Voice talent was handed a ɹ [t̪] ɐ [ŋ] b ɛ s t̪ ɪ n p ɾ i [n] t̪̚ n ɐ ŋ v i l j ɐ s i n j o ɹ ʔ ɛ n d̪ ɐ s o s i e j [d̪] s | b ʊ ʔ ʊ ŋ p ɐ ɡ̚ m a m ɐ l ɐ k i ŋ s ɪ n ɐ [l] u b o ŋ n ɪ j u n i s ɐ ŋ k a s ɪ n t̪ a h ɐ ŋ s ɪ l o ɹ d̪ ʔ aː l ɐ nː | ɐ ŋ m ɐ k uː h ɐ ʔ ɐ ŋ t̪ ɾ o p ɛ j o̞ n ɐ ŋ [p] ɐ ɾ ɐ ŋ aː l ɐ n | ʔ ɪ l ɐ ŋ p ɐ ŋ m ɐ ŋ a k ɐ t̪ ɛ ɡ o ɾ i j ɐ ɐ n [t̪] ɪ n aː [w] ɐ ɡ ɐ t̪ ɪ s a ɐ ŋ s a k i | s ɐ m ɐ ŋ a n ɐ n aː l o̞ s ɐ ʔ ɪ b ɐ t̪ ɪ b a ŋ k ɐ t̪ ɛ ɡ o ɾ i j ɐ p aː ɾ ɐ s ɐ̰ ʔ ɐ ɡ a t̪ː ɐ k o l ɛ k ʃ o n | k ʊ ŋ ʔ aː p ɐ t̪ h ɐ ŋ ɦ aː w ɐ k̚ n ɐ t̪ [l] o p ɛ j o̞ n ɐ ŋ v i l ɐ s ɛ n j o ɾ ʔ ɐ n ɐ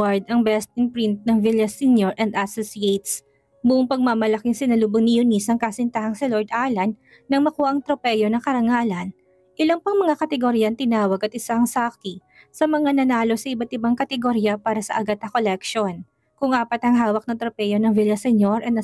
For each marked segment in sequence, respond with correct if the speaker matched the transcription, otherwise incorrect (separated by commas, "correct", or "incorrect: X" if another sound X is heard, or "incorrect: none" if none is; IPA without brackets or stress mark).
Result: incorrect: d̪, correct, correct, incorrect: t̪, correct, incorrect: k, correct, correct, incorrect: ɾ